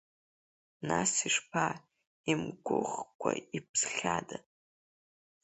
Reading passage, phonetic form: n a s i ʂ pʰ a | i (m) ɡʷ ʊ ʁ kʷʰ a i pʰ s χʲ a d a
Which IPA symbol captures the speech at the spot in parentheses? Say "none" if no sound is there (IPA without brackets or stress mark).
m